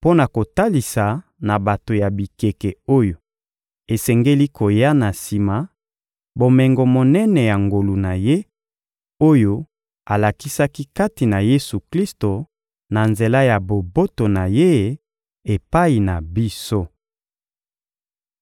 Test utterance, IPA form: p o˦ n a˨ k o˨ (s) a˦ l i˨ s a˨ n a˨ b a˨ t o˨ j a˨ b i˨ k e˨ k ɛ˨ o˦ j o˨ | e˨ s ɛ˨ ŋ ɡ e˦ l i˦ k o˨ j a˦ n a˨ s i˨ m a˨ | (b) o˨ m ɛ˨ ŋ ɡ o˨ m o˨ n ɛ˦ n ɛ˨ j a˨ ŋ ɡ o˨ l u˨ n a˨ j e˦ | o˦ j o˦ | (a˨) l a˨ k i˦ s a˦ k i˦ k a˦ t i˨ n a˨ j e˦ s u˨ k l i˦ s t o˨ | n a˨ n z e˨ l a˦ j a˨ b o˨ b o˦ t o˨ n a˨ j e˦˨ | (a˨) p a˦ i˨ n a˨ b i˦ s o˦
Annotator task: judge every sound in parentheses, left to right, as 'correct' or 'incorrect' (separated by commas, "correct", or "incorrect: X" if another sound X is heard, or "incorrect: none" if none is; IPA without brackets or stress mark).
incorrect: t, correct, correct, incorrect: e˨